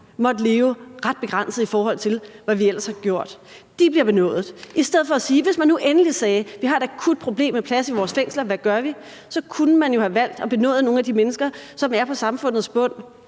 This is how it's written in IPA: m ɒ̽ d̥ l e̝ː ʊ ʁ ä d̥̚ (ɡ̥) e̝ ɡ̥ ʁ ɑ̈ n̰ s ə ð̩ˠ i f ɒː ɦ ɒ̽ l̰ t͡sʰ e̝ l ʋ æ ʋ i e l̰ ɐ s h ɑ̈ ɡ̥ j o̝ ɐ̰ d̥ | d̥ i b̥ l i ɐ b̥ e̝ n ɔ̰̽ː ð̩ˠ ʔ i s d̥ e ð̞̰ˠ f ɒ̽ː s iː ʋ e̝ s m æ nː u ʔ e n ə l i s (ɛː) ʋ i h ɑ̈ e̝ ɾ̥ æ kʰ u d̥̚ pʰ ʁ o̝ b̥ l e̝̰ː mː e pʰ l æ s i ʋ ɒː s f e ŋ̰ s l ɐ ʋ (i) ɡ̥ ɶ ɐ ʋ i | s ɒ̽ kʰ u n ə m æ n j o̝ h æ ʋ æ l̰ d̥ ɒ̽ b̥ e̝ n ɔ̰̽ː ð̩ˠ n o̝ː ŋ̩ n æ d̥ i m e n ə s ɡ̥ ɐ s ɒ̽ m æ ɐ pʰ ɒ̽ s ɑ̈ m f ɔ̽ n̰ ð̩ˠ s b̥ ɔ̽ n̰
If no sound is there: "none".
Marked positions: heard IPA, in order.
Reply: b̥, ɛː, æ

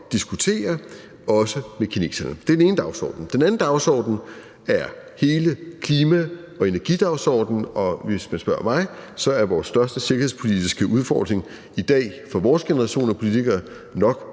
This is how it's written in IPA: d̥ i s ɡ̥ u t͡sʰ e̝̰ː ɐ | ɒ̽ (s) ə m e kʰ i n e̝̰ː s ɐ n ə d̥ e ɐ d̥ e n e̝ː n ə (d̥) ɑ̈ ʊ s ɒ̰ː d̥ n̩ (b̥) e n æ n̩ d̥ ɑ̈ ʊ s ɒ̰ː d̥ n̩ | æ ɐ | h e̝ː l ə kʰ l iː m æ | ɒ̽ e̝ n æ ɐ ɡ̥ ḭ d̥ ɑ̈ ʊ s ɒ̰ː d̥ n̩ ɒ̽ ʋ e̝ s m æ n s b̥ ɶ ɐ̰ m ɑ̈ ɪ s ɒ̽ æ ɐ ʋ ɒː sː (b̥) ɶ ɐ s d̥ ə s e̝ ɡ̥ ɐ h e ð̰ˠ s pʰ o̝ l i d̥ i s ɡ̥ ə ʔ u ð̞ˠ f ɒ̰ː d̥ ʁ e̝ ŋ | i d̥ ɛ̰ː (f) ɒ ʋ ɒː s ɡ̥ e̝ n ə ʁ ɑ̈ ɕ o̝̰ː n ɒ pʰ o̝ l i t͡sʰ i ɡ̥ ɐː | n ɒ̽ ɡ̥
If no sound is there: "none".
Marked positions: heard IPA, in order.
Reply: s, d̥, d̥, d̥, f

